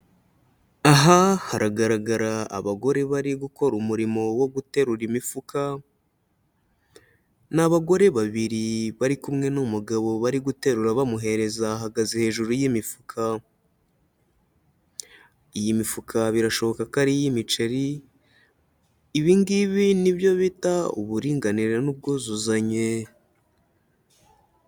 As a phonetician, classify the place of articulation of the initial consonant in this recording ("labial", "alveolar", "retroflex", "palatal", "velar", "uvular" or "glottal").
glottal